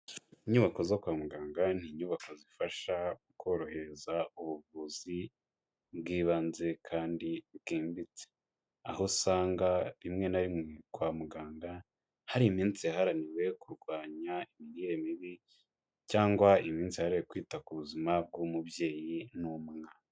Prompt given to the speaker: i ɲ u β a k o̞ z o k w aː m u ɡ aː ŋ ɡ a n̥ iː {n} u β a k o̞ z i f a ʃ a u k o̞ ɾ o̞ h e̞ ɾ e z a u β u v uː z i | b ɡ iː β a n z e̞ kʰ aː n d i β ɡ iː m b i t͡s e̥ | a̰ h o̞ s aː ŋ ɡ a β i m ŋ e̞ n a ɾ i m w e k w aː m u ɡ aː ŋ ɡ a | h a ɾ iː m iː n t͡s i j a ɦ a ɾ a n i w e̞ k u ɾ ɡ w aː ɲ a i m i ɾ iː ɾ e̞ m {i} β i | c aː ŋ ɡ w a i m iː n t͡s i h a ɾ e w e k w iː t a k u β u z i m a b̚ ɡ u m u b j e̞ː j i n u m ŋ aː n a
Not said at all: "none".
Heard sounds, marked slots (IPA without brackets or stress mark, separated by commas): ɲ, i